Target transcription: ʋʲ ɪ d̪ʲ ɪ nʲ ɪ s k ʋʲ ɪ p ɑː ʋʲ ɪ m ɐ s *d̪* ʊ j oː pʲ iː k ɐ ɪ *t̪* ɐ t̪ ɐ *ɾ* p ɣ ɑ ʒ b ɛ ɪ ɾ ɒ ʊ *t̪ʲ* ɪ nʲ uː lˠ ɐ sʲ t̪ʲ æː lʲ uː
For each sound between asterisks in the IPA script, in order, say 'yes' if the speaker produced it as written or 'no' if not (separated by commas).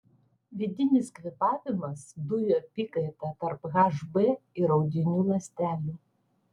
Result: yes, yes, yes, no